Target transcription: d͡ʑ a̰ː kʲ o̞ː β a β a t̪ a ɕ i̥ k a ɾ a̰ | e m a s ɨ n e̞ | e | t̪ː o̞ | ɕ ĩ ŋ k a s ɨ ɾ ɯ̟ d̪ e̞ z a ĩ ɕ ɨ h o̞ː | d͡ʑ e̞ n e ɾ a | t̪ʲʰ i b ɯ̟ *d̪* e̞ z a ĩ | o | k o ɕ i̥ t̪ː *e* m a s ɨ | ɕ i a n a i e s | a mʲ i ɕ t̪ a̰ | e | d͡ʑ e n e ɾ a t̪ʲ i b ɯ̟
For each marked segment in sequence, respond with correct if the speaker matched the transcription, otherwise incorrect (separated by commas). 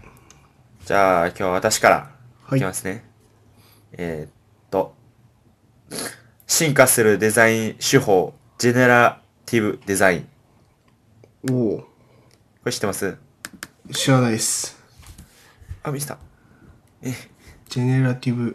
correct, correct